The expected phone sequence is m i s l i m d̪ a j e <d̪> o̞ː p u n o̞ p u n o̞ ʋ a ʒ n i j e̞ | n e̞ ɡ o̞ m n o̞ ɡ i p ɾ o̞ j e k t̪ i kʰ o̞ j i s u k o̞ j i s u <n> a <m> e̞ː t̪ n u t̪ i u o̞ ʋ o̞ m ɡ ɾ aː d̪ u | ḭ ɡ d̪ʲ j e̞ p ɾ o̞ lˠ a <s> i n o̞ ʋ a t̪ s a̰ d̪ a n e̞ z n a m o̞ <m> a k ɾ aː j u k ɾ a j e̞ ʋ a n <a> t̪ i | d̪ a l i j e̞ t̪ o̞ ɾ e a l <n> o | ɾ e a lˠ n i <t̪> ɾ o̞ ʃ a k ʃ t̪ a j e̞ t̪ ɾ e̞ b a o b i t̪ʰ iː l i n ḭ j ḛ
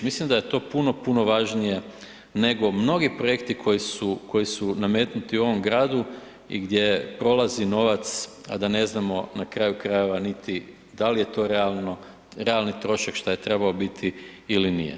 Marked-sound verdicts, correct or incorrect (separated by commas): incorrect, correct, correct, incorrect, incorrect, incorrect, correct, correct